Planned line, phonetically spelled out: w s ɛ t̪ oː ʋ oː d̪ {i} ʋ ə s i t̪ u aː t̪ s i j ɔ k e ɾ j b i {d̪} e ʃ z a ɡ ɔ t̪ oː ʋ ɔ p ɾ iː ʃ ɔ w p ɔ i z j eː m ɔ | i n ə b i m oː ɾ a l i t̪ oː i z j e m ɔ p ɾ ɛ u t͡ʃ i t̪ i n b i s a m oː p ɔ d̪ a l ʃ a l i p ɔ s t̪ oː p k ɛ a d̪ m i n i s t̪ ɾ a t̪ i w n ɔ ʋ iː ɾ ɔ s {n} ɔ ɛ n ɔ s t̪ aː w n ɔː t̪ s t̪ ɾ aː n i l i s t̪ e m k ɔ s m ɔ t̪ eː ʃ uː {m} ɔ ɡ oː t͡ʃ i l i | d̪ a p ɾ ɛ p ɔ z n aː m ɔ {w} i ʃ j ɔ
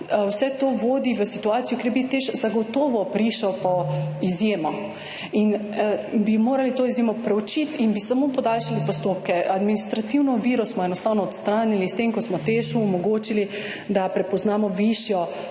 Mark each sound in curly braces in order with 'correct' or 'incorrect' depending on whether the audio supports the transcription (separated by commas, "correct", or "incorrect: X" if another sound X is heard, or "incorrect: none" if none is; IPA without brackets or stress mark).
correct, incorrect: t̪, incorrect: m, correct, incorrect: ʋ